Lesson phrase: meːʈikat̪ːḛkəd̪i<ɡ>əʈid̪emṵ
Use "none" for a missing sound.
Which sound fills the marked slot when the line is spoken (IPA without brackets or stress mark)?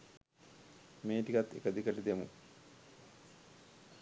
k